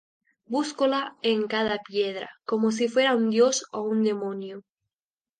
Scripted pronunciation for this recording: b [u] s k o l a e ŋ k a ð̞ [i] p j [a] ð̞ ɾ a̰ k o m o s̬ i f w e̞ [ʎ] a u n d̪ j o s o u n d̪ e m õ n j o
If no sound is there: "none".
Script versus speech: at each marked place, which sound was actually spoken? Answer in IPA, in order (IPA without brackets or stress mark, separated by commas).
u, a, e, ɾ